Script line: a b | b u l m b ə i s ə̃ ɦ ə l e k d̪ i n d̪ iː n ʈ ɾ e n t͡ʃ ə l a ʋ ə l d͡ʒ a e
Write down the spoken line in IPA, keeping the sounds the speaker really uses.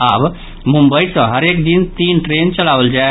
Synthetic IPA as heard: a b | m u m b ə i s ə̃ ɦ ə ɾ e k d̪ i n t̪ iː n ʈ ɾ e n t͡ʃ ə l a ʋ ə l d͡ʒ a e